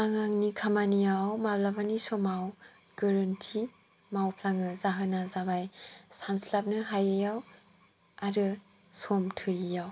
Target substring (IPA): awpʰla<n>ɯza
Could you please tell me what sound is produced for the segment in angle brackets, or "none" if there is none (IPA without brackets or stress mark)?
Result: ŋ